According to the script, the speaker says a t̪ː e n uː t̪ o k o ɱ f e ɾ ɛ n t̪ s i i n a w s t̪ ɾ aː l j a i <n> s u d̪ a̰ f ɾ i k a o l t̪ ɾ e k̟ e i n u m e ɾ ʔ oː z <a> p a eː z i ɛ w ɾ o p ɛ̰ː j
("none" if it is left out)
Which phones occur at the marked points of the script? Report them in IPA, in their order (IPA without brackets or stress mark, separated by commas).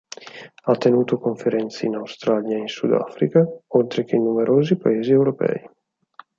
n, i